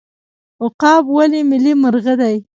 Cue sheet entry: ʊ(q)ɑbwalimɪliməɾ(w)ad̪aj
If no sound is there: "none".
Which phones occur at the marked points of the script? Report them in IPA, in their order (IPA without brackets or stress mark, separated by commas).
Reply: q, ɣ